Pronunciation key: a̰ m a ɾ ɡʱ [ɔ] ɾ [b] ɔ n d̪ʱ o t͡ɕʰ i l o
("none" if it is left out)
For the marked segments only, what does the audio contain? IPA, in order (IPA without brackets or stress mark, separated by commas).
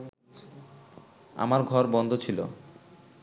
ɔ, b